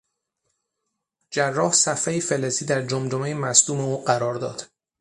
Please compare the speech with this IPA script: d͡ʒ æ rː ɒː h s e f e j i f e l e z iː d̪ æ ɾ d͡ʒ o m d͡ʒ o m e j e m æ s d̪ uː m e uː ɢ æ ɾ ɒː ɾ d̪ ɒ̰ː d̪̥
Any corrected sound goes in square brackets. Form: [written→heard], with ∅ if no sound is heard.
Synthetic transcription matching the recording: d͡ʒ æ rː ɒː h s [e→æ] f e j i f e l e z iː d̪ æ ɾ d͡ʒ o m d͡ʒ o m e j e m æ s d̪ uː m e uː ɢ æ ɾ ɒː ɾ d̪ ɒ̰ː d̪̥